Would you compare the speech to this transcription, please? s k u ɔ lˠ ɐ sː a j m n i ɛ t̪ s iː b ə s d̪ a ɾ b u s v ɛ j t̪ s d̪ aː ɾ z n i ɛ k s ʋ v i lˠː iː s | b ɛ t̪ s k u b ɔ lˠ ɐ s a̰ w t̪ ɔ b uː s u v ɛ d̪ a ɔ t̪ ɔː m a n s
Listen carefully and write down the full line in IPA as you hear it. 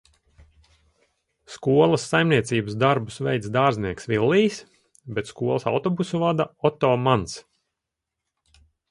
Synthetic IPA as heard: s k u ɔ lˠ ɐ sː a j m n i ɛ t̪ s iː b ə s d̪ a ɾ b u s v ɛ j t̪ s d̪ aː ɾ z n i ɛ k s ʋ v i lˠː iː s | b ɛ t̪ s k u ɔ lˠ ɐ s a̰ w t̪ ɔ b u s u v a d̪ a ɔ t̪ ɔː m a n s

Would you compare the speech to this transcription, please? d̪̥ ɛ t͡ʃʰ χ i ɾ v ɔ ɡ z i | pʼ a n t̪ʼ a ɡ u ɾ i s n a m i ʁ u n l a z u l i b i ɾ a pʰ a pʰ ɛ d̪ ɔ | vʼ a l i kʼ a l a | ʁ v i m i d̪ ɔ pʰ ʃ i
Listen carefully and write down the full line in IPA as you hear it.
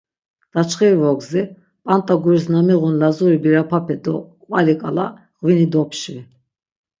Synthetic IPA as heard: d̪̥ a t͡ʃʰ χ i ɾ v ɔ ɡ z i | pʼ a n t̪ʼ a ɡ u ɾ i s n a m i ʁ u n l a z u ɾ i b i ɾ a pʰ a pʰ ɛ d̪ ɔ | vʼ a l i kʼ a l a | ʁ v i n i d̪ ɔ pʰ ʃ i

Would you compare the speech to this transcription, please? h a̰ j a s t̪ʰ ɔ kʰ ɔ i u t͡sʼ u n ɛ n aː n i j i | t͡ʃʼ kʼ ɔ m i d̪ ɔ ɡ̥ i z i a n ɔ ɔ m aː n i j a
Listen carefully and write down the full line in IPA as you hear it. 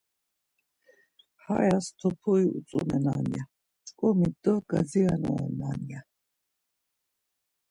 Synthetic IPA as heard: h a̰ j a s t̪ʰ ɔ pʰ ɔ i u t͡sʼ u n ɛ n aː n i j a | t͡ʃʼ kʼ ɔ m i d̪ ɔ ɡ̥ a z i a n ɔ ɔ n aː n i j a

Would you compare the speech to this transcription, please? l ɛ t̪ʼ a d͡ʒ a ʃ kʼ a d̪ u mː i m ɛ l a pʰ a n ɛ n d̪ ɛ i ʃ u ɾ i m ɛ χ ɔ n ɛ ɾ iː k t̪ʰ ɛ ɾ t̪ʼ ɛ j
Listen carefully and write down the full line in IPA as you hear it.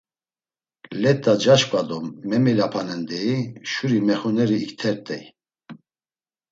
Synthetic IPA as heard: l ɛ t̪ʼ a d͡ʒ a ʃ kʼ a d̪ ɔ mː ɛ m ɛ l a pʰ a n ɛ n d̪ ɛ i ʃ u ɾ i m ɛ χ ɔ n ɛ ɾ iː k t̪ʰ ɛ ɾ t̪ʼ ɛ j

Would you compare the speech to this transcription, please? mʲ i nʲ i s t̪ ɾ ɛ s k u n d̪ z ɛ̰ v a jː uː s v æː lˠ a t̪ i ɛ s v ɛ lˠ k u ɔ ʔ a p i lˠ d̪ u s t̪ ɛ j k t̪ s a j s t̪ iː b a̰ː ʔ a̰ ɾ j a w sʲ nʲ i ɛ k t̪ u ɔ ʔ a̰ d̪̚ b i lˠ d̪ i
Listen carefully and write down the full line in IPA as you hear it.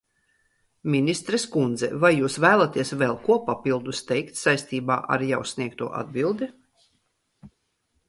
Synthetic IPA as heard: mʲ i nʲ i s t̪ ɾ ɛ s k u n d̪ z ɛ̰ v a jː uː s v æː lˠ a t̪ i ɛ s v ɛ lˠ k u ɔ p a p i lˠ d̪ u s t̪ ɛ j k t̪ s a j s t̪ iː b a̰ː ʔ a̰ ɾ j a w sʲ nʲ i ɛ k t̪ u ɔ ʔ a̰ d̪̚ b i lˠ d̪ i

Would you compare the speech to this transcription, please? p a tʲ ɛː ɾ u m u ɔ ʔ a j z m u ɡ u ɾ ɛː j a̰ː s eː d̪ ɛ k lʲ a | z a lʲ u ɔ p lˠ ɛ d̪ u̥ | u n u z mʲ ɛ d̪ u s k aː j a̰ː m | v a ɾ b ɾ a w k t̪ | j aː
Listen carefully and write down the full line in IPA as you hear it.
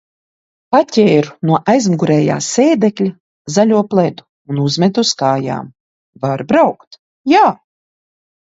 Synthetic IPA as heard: p a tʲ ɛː ɾ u n u ɔ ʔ a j z m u ɡ u ɾ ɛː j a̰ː s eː d̪ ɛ k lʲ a | z a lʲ u ɔ p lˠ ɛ d̪ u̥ | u n u z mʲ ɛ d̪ u s k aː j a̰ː m | v a ɾ b ɾ a w k t̪ | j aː

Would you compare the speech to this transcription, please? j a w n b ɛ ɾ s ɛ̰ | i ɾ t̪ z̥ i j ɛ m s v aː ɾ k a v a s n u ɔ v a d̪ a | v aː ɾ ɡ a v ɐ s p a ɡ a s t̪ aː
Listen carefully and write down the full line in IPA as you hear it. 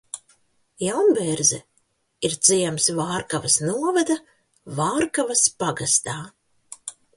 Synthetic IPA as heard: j a w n b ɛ ɾ z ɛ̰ | i ɾ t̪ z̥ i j ɛ m s v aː ɾ k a v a s n u ɔ v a d̪ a | v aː ɾ k a v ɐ s p a ɡ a s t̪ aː

